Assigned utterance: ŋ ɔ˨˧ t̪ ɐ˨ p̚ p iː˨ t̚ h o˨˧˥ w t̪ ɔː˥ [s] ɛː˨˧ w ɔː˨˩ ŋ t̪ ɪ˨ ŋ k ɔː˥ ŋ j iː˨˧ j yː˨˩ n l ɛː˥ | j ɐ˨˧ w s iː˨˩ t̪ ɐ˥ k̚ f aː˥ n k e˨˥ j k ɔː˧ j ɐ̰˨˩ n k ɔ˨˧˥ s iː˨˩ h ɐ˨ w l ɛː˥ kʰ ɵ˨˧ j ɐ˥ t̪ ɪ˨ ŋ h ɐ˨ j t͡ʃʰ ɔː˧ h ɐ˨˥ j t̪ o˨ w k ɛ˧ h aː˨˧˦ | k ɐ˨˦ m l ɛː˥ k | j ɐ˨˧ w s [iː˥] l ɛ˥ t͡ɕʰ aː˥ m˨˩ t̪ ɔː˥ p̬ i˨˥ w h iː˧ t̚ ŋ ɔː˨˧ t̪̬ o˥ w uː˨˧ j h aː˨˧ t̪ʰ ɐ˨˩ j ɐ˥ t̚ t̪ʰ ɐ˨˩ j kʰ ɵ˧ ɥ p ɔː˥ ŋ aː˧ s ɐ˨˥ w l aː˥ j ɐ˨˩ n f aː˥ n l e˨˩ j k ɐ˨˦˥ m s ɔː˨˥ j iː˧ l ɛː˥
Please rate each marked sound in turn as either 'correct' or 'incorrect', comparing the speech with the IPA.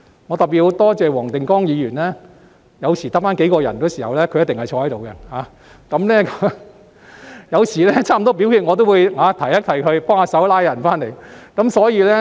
incorrect: t͡s, incorrect: iː˨˩

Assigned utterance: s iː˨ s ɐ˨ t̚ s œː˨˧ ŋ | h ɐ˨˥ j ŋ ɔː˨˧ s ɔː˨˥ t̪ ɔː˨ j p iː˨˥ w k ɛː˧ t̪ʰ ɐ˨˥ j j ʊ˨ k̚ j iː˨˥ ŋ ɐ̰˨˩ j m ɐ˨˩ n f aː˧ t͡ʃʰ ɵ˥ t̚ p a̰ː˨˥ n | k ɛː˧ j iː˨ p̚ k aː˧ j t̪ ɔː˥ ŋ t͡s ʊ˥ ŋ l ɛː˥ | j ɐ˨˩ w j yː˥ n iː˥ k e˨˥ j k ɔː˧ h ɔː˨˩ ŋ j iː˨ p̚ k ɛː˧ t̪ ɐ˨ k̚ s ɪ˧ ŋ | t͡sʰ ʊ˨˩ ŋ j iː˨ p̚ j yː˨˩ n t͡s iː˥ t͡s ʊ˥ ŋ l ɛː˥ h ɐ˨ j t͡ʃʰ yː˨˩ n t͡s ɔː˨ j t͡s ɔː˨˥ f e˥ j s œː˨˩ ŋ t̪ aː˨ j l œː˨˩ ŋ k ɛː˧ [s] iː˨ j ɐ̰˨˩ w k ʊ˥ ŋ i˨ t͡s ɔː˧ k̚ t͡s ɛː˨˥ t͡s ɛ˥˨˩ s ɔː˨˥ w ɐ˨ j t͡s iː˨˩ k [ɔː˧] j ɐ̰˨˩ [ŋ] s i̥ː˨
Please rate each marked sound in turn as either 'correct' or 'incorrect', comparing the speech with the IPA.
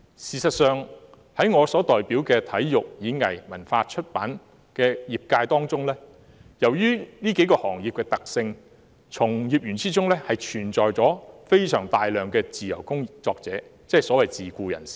incorrect: t͡s, incorrect: uː˧, incorrect: n

